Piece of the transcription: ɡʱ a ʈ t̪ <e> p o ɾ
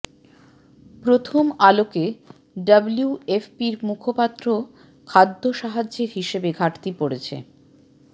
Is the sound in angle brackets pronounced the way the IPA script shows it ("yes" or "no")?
no